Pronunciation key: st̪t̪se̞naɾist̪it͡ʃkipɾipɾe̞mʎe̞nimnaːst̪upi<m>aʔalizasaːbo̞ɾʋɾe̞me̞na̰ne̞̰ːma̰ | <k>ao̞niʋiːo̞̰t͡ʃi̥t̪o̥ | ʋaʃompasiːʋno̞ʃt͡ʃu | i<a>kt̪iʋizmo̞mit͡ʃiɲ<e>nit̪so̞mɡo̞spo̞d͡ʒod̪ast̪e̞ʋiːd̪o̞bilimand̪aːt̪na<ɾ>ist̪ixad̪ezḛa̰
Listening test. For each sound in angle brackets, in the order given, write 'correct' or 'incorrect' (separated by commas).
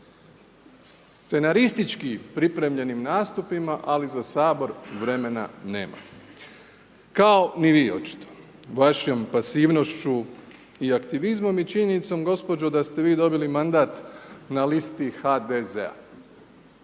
correct, correct, correct, correct, incorrect